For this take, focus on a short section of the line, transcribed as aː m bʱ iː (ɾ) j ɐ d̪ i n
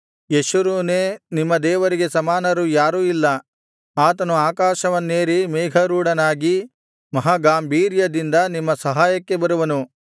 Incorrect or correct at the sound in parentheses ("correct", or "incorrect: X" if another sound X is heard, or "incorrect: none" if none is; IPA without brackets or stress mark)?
correct